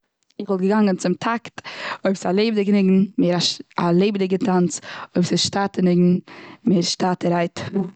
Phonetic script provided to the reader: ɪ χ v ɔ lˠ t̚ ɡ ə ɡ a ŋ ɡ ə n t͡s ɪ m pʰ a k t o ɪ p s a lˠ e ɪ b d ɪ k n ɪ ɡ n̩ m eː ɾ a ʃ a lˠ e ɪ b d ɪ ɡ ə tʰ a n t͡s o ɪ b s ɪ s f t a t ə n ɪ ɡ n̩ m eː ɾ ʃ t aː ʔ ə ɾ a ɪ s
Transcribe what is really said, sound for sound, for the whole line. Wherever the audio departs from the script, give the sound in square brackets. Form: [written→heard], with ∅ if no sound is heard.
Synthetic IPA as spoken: ɪ χ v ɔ lˠ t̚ ɡ ə ɡ a ŋ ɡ ə n t͡s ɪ m [pʰ→tʰ] a k t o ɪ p s a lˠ e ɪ b d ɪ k n ɪ ɡ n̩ m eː ɾ a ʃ a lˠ e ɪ b d ɪ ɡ ə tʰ a n t͡s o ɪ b s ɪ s [f→ʃ] t a t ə n ɪ ɡ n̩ m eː ɾ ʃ t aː [ʔ→t] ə ɾ a ɪ [s→t]